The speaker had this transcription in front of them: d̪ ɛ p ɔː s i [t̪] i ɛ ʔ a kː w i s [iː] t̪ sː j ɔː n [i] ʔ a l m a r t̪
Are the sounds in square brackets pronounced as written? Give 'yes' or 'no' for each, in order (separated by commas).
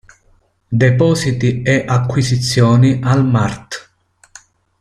yes, no, yes